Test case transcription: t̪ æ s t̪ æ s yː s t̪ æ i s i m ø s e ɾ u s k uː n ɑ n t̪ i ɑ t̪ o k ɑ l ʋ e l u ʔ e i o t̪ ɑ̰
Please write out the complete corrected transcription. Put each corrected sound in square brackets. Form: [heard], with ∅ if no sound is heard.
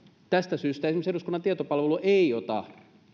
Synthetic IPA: t̪ æ s t̪ æ s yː s t̪ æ [e] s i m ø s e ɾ u s k [u] n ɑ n t̪ i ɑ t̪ o [p] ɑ l ʋ e l u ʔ e i o t̪ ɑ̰